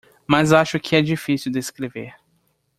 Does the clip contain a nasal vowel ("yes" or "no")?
no